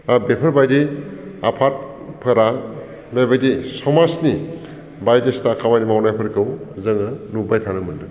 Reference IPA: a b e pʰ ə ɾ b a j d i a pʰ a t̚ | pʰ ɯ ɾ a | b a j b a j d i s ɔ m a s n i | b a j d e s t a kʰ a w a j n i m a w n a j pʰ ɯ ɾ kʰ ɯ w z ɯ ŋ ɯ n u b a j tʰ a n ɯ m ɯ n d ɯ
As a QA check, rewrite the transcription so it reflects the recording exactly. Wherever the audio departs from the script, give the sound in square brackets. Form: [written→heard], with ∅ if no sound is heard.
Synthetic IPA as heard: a b e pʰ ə ɾ b a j d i a pʰ a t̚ | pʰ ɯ ɾ a | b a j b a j d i s ɔ m a s n i | b a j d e s t a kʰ a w a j n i m a w n a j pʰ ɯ ɾ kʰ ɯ w z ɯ ŋ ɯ n u b a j tʰ a n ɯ m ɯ n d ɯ